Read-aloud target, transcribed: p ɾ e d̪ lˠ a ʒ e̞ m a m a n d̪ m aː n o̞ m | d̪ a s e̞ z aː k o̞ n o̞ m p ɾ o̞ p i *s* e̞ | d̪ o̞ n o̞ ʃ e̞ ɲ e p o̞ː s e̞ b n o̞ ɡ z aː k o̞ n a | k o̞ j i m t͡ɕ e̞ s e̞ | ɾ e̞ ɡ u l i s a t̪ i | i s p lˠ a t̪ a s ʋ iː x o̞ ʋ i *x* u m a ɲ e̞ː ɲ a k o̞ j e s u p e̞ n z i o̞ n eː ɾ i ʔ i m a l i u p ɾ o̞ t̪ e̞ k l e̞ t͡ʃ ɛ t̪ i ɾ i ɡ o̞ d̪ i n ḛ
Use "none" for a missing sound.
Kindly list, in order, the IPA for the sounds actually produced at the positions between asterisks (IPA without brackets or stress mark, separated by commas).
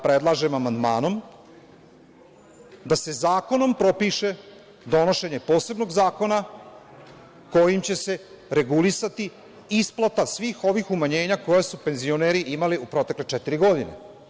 ʃ, x